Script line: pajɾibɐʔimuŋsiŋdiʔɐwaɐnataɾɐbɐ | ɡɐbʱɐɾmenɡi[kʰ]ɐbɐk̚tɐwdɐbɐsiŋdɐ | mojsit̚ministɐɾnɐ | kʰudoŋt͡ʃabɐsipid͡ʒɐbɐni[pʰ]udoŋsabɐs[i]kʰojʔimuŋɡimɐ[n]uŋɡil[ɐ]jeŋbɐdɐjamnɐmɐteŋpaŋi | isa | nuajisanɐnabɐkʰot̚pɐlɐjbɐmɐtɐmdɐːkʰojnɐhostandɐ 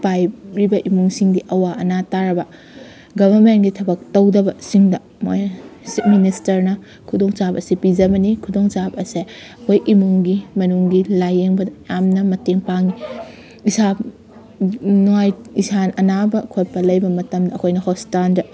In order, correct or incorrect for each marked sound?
incorrect: tʰ, incorrect: kʰ, incorrect: e, correct, incorrect: a

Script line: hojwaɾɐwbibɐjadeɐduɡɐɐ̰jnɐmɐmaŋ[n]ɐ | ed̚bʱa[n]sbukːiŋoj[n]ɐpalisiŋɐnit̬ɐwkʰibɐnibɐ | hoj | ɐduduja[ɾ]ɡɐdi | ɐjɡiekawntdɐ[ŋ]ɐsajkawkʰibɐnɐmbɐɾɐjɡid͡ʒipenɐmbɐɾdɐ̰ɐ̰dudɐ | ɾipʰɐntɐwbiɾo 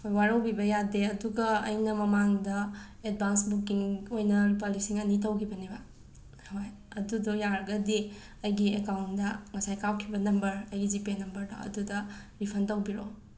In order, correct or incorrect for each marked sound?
incorrect: d, correct, correct, correct, correct

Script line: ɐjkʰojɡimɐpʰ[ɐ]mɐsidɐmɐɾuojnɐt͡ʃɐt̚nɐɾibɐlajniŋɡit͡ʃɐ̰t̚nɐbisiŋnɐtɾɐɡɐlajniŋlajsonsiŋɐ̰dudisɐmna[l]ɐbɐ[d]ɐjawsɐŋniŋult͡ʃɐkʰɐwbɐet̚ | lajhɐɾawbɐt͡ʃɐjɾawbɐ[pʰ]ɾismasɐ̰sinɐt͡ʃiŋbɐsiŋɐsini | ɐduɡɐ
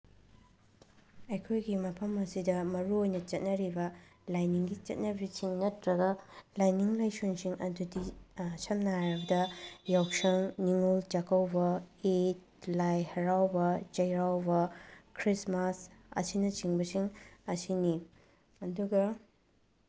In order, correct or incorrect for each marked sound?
correct, incorrect: ɾ, correct, incorrect: kʰ

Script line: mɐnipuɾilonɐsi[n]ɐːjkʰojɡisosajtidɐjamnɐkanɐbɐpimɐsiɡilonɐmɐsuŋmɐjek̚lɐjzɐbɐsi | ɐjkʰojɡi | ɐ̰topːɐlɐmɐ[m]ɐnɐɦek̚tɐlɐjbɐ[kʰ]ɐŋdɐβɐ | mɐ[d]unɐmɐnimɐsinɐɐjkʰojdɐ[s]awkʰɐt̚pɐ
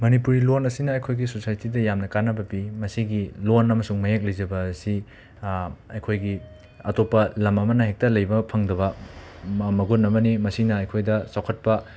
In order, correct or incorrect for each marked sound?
correct, correct, incorrect: pʰ, incorrect: ɡ, correct

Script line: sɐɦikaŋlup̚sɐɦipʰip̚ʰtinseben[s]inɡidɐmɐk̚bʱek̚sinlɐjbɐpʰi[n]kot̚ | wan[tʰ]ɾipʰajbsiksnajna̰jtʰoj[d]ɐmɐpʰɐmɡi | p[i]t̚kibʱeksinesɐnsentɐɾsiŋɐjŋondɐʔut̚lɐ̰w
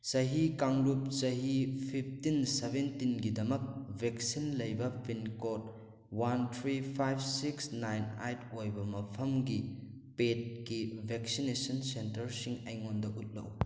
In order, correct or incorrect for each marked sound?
incorrect: t, correct, correct, incorrect: b, incorrect: e

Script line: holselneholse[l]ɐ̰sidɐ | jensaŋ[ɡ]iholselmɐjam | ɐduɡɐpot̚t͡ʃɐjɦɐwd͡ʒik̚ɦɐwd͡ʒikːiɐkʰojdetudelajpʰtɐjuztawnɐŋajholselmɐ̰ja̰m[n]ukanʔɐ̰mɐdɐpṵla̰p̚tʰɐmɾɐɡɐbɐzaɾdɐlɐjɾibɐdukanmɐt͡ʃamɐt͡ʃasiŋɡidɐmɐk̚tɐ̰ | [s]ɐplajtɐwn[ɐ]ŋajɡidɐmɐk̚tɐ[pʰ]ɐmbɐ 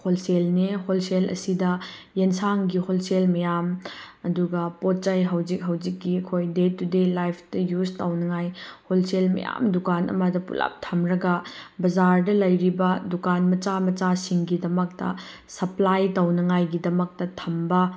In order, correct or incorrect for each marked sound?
correct, correct, incorrect: d, correct, correct, incorrect: tʰ

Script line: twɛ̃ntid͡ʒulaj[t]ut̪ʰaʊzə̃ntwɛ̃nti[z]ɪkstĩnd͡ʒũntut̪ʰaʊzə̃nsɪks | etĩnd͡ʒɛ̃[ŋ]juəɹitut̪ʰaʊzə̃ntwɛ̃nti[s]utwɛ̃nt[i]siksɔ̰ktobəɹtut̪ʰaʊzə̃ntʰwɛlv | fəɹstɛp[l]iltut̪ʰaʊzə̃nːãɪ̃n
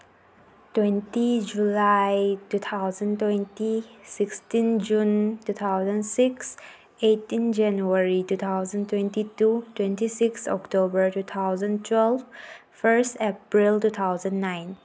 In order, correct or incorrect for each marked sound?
correct, incorrect: s, incorrect: n, incorrect: t, correct, incorrect: ɹ

